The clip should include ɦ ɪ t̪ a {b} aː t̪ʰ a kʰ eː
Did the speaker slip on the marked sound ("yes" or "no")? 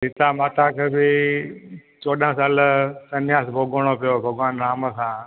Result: yes